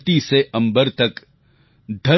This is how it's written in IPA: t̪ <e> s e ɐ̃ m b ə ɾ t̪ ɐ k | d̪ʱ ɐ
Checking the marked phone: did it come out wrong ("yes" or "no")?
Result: yes